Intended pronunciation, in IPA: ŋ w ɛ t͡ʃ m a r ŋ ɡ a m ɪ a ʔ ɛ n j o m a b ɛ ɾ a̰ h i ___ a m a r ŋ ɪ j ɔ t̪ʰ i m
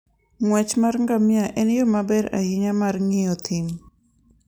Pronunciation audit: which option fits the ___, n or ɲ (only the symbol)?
ɲ